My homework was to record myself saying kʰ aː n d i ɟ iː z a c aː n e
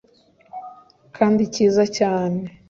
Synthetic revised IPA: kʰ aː n d i c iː z a c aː n e

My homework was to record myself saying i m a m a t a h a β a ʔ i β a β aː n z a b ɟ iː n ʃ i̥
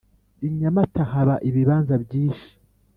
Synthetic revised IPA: i ɲ a m a t a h a β a ʔ i β i β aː n z a b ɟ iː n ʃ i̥

